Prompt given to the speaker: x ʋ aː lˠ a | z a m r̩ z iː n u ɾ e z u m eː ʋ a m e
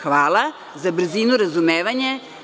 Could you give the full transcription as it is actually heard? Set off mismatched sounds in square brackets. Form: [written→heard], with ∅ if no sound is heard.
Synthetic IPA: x ʋ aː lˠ a | z a [m→b] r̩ z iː n u ɾ [e→a] z u m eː ʋ a [m→ɲ] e